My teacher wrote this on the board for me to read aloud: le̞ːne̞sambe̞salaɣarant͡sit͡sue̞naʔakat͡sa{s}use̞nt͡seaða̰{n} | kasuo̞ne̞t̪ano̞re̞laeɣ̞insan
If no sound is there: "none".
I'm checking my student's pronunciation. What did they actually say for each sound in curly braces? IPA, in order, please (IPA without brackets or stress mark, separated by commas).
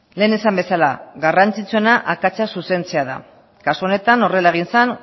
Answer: s, none